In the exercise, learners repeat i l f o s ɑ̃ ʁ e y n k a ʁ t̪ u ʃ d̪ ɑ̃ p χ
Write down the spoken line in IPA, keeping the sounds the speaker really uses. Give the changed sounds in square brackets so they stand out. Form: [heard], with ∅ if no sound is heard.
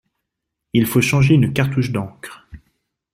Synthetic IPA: i l f o [ʃ] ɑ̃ [ʒ] e y n k a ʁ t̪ u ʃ d̪ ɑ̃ [k] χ